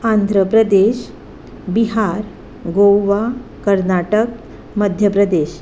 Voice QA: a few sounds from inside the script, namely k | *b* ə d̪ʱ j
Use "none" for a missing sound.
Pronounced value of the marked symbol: m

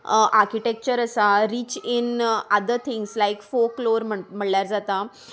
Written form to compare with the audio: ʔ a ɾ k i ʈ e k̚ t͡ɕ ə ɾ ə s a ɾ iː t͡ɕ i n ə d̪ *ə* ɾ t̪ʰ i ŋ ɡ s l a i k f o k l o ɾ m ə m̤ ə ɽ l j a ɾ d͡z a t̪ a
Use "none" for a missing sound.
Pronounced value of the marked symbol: ə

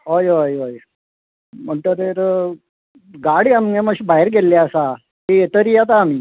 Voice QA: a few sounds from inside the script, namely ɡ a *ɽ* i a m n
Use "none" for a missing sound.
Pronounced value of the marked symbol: ɽ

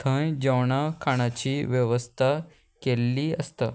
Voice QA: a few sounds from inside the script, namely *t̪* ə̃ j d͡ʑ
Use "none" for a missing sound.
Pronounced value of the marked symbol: t̪ʰ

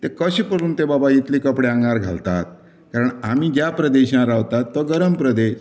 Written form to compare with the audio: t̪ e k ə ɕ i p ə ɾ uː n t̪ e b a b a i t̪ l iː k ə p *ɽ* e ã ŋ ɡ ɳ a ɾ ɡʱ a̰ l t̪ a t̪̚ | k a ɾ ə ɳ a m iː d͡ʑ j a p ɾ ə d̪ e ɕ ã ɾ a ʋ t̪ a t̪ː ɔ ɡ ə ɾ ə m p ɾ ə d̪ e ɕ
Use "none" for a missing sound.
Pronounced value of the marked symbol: ɽ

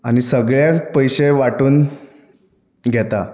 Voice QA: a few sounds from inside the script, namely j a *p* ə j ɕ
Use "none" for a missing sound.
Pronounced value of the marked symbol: p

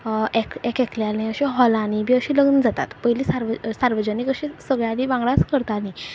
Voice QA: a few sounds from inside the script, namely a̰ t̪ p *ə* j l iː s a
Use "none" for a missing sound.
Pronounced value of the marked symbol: ə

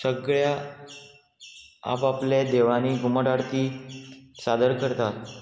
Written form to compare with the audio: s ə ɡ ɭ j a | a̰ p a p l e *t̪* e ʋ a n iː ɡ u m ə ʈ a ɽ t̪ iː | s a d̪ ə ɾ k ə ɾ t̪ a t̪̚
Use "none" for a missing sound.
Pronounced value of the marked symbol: d̪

